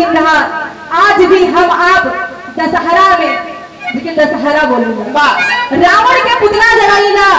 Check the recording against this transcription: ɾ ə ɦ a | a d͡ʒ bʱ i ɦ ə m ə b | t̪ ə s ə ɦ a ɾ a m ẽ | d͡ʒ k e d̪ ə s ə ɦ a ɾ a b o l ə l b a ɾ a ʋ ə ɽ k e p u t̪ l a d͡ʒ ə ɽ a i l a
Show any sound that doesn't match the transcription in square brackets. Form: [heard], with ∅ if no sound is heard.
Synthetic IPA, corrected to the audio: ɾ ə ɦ a | a d͡ʒ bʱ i ɦ ə m [a] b | [d̪] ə s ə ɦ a ɾ a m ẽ | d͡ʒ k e d̪ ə s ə ɦ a ɾ a b o l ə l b a ɾ a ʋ ə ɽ k e p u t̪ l a d͡ʒ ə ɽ a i l a